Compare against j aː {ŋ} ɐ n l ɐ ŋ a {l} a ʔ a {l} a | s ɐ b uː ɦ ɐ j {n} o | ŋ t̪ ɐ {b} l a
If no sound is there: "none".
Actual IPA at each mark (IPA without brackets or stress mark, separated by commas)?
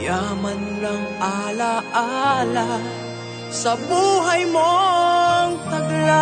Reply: m, l, l, m, ɡ